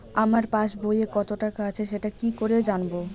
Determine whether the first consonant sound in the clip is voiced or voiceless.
voiced